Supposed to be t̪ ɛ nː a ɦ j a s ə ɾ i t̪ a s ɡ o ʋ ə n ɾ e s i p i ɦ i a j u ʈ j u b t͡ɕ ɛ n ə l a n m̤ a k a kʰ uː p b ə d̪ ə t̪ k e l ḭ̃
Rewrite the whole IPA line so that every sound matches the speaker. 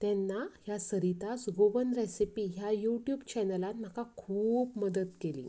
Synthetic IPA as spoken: t̪ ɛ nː a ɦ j a s ə ɾ i t̪ a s ɡ o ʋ ə n ɾ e s i p i ɦ j a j u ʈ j u b t͡ɕ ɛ n ə l a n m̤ a k a kʰ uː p m ə d̪ ə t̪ k e l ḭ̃